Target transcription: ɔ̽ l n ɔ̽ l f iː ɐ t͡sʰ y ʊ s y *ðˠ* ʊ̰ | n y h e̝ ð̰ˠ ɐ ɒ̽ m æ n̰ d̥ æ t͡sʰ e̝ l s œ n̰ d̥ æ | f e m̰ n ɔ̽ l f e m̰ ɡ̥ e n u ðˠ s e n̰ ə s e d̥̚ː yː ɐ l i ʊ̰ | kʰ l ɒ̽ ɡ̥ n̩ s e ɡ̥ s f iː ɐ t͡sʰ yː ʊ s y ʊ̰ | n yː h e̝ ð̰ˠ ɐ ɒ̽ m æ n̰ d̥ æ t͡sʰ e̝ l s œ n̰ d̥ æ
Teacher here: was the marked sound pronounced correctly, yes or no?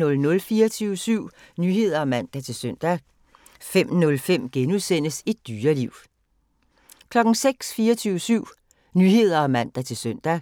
no